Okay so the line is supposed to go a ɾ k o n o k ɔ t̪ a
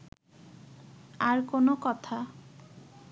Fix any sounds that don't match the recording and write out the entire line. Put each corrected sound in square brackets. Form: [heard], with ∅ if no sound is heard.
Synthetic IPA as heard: a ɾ k o n o k ɔ [t̪ʰ] a